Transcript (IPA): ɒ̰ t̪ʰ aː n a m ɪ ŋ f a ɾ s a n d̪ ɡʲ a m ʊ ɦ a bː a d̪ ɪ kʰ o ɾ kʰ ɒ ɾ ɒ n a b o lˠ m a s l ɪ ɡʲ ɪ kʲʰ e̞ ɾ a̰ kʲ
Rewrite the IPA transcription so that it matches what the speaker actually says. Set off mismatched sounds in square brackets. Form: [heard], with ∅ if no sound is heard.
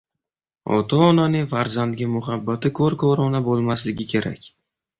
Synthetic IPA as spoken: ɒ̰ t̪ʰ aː n a [n] ɪ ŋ f a ɾ [z] a n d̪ ɡʲ a m ʊ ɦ a bː a [t̪] ɪ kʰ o ɾ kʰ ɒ ɾ ɒ n a b o lˠ m a s l ɪ ɡʲ ɪ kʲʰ e̞ ɾ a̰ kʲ